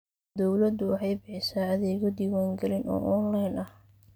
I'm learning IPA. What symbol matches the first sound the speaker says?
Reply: d̪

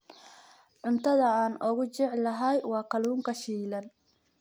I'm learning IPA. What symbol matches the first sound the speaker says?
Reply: ʕ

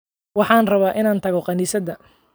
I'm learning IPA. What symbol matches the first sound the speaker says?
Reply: w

